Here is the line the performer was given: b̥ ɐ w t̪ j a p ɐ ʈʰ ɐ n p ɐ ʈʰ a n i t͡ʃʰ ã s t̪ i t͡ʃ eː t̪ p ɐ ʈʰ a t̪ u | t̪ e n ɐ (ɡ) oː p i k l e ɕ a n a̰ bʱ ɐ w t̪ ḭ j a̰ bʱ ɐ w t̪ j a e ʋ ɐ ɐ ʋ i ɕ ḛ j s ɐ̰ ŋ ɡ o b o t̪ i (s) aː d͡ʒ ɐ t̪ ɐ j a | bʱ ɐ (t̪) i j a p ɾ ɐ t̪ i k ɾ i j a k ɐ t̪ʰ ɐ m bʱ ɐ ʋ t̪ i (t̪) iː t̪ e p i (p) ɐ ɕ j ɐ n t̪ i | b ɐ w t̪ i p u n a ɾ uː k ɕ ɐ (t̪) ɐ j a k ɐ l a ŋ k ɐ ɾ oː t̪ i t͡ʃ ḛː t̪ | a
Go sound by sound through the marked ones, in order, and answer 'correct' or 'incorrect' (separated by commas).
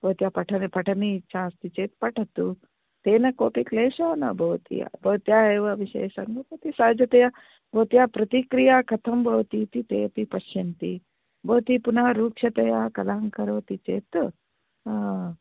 incorrect, correct, correct, correct, correct, correct